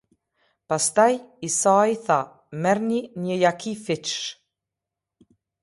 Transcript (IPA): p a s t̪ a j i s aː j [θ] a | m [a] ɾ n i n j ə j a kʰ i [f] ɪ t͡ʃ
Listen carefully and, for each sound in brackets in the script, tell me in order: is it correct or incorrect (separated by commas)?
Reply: correct, incorrect, correct